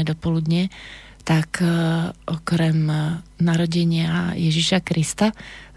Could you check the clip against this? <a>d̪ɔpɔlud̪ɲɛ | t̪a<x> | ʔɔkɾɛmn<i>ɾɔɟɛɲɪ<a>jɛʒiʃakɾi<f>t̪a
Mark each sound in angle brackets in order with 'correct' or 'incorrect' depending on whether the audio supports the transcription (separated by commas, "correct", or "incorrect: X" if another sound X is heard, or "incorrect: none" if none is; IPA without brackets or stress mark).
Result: incorrect: ɛ, incorrect: k, incorrect: a, correct, incorrect: s